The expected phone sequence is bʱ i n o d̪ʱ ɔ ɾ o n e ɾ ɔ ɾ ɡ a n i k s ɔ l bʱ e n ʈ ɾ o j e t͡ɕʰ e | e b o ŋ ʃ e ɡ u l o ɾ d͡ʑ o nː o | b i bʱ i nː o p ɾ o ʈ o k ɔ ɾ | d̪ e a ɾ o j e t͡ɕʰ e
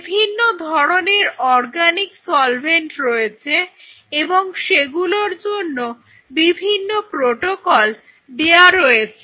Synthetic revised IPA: bʱ i nː o d̪ʱ ɔ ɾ o n e ɾ ɔ ɾ ɡ a n i k s ɔ l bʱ e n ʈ ɾ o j e t͡ɕʰ e | e b o ŋ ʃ e ɡ u l o ɾ d͡ʑ o nː o | b i bʱ i nː o p ɾ o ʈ o k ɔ l | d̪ e a ɾ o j e t͡ɕʰ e